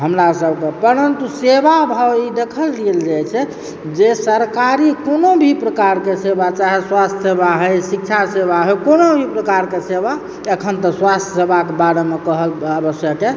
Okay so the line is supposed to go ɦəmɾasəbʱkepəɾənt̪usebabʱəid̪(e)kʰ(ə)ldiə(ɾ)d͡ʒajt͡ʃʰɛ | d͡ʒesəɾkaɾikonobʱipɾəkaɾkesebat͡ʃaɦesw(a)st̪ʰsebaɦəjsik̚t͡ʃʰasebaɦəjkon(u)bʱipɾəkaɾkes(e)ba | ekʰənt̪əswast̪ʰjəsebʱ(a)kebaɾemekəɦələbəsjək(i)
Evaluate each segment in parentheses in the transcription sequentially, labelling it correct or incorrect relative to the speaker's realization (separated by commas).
correct, correct, incorrect, correct, incorrect, correct, correct, incorrect